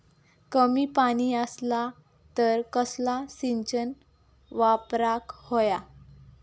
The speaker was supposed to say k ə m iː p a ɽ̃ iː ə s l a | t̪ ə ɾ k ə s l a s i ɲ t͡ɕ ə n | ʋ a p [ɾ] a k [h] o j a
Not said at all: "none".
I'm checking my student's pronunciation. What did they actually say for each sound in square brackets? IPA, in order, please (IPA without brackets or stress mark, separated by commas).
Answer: ɾ, h